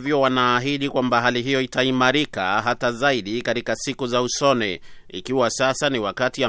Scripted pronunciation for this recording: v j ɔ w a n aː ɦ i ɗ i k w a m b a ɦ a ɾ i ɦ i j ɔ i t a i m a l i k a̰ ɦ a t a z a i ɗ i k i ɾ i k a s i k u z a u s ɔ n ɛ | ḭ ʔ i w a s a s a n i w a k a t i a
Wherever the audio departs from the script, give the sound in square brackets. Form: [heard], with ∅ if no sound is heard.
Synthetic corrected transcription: v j ɔ w a n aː ɦ i ɗ i k w a m b a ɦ a [l] i ɦ i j ɔ i t a i m a [ɾ] i k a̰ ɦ a t a z a i ɗ i k [a] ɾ i k a s i k u z a u s ɔ n ɛ | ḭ [k] i w a s a s a n i w a k a t i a